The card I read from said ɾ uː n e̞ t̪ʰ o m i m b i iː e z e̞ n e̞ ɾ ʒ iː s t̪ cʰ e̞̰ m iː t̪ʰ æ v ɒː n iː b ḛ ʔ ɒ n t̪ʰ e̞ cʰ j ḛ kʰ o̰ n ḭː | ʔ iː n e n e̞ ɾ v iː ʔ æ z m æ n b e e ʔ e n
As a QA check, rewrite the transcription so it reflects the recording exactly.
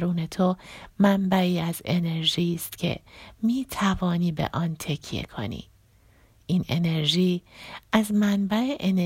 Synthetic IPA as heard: ɾ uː n e̞ t̪ʰ o m æ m b æ iː æ z e̞ n e̞ ɾ ʒ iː s t̪ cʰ e̞̰ m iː t̪ʰ æ v ɒː n iː b ḛ ʔ ɒ n t̪ʰ e̞ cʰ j ḛ kʰ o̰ n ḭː | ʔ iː n e n e̞ ɾ ʒ iː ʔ æ z m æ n b æ e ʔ e n